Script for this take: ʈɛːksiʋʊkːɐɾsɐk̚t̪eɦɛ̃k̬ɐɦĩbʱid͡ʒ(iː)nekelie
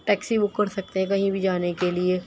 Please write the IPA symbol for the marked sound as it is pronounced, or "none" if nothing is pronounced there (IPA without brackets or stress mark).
aː